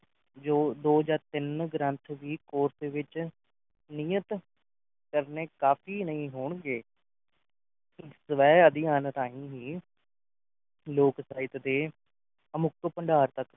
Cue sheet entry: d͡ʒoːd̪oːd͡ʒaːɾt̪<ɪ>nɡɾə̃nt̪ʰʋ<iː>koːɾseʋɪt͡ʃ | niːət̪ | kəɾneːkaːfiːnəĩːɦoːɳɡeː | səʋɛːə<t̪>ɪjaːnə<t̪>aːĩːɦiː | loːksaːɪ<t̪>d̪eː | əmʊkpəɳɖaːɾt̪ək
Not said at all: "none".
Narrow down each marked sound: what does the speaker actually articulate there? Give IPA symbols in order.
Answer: ɪ, iː, d̪, t̪, t̪

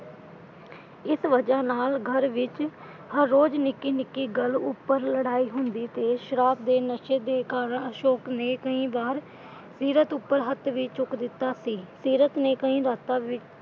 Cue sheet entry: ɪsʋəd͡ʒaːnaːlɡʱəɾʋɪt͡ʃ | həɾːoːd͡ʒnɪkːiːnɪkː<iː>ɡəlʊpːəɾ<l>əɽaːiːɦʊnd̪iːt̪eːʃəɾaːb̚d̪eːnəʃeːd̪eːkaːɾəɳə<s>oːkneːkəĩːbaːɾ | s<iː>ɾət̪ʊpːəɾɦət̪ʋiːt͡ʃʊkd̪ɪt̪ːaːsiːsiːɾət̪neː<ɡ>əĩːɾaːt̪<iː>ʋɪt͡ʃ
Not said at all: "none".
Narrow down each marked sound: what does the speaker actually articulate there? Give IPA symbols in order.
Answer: iː, l, ʃ, iː, k, aː

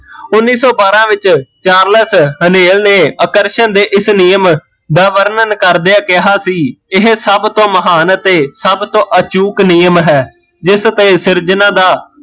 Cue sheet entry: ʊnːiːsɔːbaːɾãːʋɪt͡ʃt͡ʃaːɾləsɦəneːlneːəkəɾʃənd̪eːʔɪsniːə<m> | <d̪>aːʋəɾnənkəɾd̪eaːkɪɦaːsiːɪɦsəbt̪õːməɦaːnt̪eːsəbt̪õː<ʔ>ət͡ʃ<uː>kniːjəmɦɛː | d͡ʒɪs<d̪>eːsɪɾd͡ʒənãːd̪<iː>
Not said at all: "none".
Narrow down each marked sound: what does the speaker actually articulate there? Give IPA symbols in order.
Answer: m, d̪, ʔ, uː, t̪, aː

